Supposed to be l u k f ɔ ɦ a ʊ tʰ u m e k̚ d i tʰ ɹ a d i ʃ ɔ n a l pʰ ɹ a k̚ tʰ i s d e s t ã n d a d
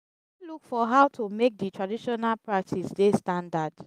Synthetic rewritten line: l u k f ɔ ɦ a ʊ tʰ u m e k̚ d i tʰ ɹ a d i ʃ ɔ n a l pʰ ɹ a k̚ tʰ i s d e s t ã n d a d